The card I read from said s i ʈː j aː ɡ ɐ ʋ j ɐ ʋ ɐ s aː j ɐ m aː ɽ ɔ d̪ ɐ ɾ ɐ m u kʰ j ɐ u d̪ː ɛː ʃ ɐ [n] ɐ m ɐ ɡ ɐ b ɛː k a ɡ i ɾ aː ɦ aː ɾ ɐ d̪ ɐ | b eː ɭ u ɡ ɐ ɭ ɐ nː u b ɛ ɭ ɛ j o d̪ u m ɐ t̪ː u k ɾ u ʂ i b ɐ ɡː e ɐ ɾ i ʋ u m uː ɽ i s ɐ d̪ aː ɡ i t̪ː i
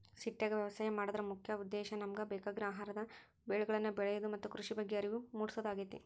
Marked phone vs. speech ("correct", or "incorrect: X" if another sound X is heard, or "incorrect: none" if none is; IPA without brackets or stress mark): correct